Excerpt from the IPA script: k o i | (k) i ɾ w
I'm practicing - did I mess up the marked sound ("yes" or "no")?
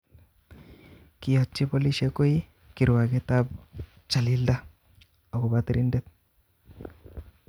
no